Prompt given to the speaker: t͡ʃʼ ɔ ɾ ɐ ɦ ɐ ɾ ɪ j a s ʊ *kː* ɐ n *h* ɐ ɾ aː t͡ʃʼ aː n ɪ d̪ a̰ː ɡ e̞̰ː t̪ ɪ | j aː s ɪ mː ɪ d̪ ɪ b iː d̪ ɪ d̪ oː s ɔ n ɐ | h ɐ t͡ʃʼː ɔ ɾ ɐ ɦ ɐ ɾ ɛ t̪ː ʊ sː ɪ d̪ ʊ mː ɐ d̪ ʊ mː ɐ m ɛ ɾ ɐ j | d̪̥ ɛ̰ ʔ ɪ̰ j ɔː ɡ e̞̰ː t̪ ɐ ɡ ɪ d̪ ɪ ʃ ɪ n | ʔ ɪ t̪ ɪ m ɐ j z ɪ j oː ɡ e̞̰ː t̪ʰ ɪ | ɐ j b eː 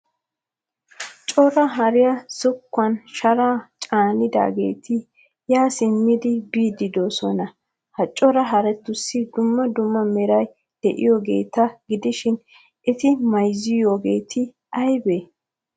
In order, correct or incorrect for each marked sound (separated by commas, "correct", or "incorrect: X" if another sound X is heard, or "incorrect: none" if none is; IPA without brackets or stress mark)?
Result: correct, incorrect: ʃ